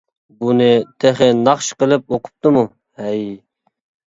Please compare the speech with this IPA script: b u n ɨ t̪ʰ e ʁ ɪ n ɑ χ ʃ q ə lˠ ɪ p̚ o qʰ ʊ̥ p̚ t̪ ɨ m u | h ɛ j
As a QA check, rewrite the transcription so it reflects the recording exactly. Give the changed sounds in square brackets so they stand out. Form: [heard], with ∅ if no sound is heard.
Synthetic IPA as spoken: b u n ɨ t̪ʰ e [χ] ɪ n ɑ χ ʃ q ə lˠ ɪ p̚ o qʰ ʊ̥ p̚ t̪ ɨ m u | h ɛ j